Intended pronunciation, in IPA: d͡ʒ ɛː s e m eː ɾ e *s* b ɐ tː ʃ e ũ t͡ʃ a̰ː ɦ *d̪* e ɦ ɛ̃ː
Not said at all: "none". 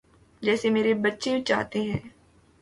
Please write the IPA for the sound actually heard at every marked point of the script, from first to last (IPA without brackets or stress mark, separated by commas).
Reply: none, t̪